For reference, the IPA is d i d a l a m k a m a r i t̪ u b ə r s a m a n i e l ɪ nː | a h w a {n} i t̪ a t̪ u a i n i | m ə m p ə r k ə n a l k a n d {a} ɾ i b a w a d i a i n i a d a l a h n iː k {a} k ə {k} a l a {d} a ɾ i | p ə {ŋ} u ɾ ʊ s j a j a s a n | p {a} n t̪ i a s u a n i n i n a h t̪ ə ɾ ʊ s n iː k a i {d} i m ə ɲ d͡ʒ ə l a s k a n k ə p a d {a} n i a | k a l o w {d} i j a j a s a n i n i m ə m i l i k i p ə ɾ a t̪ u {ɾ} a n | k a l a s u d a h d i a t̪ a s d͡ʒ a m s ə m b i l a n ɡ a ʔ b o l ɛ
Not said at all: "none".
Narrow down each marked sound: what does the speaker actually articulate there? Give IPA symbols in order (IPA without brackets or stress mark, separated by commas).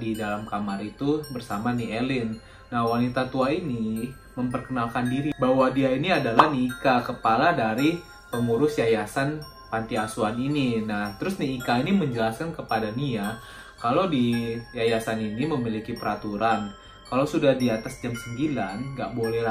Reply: n, i, a, p, d, ŋ, a, n, a, d, ɾ